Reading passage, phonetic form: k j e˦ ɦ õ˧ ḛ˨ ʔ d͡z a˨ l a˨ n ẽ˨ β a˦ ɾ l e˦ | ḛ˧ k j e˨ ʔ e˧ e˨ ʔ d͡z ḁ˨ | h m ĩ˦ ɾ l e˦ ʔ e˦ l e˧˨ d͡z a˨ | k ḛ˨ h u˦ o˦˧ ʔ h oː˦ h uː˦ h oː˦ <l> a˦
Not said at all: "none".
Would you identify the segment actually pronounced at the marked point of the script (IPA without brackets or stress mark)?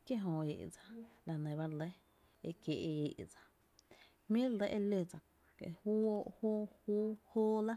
l